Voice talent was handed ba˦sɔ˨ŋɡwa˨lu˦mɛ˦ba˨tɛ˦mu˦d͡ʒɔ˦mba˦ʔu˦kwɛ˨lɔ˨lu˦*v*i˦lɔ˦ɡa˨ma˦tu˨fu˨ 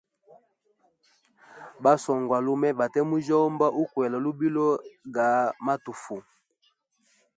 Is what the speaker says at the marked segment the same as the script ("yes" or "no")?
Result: no